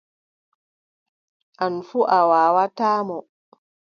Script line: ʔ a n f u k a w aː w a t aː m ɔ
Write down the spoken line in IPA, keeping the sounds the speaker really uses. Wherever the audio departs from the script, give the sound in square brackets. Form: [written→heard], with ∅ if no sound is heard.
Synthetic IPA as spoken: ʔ a n f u [k→ʔ] a w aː w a t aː m ɔ